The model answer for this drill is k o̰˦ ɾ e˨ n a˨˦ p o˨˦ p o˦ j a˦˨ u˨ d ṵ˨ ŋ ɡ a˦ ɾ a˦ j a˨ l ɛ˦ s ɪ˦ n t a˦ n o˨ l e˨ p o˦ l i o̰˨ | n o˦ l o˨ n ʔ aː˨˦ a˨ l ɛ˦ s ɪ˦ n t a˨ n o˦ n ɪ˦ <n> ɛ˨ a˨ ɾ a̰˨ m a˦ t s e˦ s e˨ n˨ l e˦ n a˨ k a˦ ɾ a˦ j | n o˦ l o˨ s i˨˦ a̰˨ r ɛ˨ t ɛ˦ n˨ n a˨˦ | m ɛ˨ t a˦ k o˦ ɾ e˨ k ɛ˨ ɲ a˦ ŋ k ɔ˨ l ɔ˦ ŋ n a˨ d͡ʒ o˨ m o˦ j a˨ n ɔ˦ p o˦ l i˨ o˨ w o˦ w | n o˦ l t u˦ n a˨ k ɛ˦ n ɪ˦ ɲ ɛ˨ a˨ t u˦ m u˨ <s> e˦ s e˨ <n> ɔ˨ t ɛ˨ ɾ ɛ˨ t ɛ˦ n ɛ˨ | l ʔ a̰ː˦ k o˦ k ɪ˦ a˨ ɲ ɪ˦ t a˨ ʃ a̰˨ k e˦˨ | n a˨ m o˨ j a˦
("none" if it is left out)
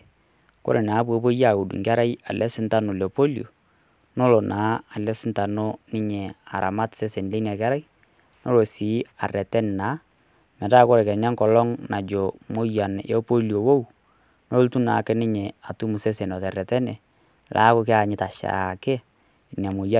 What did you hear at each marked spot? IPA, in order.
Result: ɲ, s, n

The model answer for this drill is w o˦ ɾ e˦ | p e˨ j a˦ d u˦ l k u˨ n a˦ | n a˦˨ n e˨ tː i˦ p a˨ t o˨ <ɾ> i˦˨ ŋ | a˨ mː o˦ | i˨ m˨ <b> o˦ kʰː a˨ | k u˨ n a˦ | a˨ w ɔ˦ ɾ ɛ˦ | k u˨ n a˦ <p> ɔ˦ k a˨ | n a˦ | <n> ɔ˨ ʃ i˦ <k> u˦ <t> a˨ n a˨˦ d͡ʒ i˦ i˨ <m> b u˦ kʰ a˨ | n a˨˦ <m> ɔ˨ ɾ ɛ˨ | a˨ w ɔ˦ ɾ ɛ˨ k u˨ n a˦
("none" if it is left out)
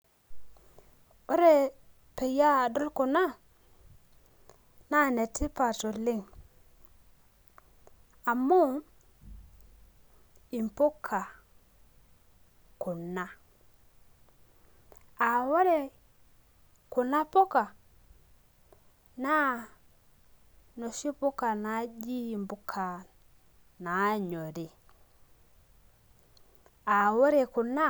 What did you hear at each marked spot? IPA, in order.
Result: l, p, p, n, p, k, m, ɲ

